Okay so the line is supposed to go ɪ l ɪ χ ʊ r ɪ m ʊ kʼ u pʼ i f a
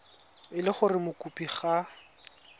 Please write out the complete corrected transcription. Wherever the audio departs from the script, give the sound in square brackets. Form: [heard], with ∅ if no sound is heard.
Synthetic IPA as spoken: ɪ l ɪ χ ʊ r ɪ m ʊ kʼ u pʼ i [χ] a